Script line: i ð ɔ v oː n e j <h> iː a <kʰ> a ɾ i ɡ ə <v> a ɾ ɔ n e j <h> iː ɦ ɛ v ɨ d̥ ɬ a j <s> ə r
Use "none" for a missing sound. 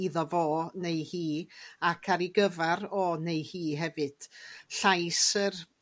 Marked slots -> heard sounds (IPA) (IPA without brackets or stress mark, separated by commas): h, kʰ, v, h, s